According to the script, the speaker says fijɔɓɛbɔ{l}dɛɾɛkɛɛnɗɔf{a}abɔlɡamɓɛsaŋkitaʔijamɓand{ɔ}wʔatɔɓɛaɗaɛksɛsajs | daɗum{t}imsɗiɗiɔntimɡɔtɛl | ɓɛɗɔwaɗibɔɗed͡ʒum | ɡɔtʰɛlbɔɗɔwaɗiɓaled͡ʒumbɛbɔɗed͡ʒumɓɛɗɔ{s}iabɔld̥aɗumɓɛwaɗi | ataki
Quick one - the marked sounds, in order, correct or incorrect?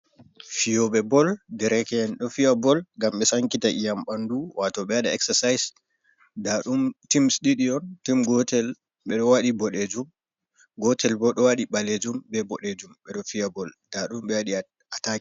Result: correct, incorrect, incorrect, correct, incorrect

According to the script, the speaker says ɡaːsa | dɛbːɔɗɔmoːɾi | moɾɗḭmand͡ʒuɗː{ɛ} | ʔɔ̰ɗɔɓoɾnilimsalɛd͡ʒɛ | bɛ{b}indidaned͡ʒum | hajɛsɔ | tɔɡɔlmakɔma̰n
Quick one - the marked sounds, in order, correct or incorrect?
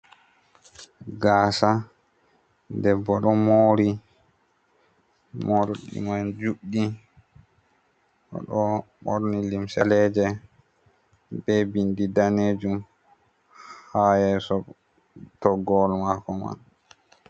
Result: incorrect, correct

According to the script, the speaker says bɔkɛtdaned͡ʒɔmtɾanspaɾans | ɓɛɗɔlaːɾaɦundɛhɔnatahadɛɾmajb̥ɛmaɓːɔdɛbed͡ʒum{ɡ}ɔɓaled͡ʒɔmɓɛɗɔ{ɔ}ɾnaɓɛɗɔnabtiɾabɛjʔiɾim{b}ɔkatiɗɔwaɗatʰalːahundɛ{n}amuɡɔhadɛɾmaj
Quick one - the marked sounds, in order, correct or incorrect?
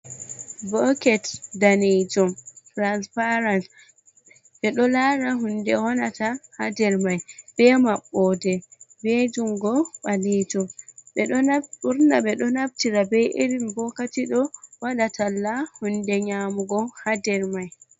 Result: correct, incorrect, correct, incorrect

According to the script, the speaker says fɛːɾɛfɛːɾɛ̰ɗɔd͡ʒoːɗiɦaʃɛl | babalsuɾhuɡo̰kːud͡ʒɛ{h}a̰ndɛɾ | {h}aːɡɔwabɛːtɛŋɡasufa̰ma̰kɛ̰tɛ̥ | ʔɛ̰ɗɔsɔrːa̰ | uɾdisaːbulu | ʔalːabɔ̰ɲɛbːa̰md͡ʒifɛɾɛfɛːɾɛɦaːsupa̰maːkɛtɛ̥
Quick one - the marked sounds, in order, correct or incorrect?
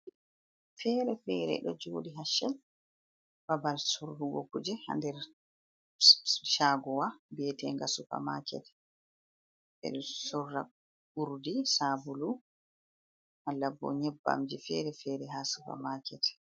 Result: correct, incorrect

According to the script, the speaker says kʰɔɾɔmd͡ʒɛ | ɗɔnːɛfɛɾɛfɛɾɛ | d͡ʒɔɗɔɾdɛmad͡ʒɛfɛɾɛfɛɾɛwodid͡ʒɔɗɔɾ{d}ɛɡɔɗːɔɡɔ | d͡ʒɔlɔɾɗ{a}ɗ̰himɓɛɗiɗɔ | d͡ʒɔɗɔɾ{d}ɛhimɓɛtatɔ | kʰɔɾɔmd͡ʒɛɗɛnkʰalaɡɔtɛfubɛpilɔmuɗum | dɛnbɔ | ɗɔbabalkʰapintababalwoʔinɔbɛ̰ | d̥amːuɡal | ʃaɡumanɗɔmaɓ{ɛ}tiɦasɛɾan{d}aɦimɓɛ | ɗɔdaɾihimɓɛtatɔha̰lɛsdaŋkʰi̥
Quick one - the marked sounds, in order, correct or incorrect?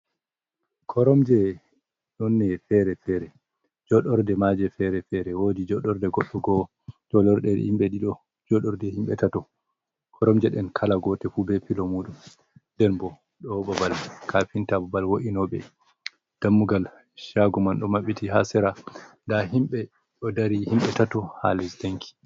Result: correct, incorrect, correct, incorrect, correct

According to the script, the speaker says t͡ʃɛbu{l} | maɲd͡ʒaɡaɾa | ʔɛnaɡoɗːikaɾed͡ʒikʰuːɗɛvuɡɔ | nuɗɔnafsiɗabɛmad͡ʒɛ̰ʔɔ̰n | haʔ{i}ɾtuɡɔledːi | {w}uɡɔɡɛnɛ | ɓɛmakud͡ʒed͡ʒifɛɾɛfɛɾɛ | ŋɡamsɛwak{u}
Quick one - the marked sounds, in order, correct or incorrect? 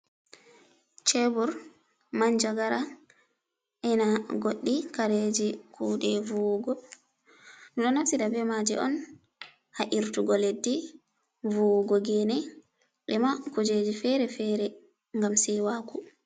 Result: incorrect, correct, incorrect, correct

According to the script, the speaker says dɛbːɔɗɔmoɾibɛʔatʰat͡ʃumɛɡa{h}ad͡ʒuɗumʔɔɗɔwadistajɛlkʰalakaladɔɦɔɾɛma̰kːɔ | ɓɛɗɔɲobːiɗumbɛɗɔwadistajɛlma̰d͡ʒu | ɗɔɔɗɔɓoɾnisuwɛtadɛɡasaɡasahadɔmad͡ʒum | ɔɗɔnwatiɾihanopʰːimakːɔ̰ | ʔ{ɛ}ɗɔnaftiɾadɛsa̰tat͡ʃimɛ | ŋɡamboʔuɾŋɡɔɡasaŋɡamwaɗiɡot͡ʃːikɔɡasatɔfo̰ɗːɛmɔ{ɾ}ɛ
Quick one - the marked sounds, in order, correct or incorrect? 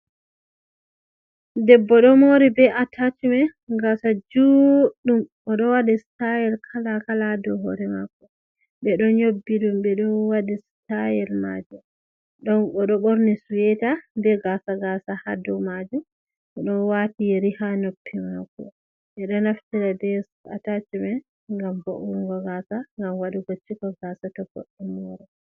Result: incorrect, correct, correct

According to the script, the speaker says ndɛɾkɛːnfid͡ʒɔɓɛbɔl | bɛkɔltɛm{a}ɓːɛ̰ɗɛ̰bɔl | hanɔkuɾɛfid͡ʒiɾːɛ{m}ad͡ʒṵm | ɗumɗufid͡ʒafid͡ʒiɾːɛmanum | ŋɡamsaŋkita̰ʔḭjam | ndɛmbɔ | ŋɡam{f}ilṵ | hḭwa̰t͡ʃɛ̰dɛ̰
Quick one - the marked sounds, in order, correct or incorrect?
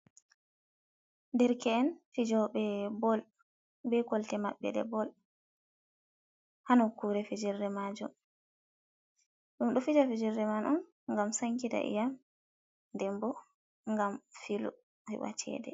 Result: correct, correct, correct

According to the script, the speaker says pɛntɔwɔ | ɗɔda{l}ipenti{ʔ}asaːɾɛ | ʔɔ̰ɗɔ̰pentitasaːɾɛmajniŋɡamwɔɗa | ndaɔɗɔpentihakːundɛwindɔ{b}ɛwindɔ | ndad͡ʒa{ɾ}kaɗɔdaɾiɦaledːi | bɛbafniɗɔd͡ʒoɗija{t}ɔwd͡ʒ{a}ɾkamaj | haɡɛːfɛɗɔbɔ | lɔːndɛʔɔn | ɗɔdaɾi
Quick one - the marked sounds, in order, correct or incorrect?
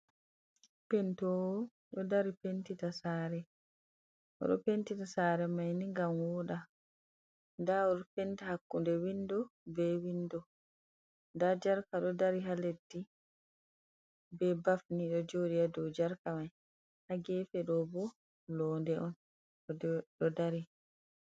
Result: incorrect, incorrect, correct, correct, incorrect, correct

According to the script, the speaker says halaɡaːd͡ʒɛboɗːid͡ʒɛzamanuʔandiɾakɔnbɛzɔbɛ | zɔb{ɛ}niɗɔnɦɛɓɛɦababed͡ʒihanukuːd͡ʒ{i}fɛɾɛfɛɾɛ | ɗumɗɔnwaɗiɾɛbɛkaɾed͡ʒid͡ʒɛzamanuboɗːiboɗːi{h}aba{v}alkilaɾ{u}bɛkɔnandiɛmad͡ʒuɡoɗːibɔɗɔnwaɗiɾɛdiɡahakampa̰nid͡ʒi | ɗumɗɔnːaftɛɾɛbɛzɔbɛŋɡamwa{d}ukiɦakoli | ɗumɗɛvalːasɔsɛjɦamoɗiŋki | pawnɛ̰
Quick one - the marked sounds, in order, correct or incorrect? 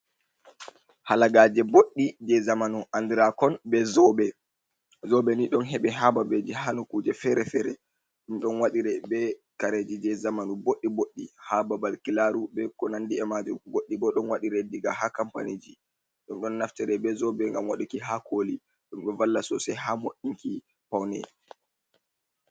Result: correct, incorrect, correct, incorrect, correct, incorrect

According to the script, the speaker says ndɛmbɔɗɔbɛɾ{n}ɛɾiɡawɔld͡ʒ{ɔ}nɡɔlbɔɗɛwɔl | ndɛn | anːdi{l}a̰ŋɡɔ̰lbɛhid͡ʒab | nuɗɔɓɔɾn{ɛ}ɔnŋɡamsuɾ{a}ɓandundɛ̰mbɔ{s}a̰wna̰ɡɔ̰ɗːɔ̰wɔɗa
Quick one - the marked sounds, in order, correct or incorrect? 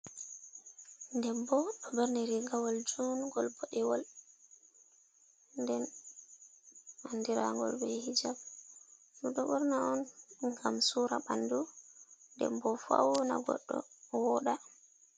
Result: correct, incorrect, incorrect, incorrect, correct, incorrect

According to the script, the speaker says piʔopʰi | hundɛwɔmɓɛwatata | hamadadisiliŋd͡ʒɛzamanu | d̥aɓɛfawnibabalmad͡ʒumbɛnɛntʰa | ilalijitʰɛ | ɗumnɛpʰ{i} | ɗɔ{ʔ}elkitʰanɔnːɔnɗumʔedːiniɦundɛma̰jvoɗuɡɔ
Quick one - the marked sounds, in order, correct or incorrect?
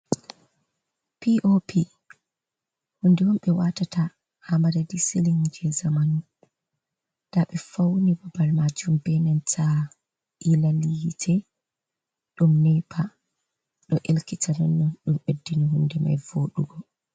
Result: incorrect, correct

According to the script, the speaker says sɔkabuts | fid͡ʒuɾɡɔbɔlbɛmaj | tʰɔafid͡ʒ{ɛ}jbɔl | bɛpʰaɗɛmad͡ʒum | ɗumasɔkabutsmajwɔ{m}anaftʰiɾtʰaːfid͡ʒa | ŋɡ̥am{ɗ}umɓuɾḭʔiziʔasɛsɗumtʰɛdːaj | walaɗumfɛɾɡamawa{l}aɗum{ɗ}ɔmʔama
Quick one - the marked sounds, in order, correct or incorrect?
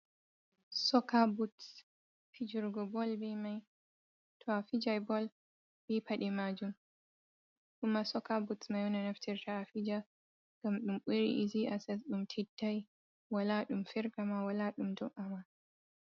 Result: incorrect, incorrect, correct, correct, incorrect

